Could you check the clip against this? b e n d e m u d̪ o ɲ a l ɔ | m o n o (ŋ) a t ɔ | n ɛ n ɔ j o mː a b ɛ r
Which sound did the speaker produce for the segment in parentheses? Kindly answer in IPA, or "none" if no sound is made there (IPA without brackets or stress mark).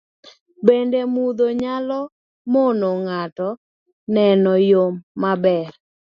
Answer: ŋ